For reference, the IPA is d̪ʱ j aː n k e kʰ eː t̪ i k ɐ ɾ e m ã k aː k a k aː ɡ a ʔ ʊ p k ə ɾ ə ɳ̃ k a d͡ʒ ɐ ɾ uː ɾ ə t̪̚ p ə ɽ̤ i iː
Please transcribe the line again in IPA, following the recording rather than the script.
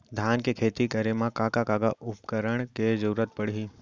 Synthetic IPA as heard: d̪ʱ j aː n k e kʰ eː t̪ i k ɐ ɾ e m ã k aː k a k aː ɡ a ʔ ʊ p k ə ɾ ə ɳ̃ k e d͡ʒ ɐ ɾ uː ɾ ə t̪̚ p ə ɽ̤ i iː